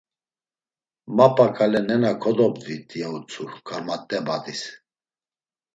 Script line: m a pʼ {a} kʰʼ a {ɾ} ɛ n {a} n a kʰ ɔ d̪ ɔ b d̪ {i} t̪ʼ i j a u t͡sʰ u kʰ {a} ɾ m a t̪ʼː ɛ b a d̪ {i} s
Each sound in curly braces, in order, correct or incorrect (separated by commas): correct, incorrect, incorrect, correct, correct, correct